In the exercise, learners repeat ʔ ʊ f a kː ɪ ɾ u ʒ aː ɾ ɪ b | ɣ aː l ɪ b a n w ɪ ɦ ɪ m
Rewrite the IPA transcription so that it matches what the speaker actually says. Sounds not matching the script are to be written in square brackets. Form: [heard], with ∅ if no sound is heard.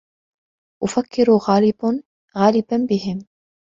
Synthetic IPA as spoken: ʔ ʊ f a kː ɪ ɾ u [ɣ] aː [l] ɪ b | ɣ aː l ɪ b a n [b] ɪ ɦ ɪ m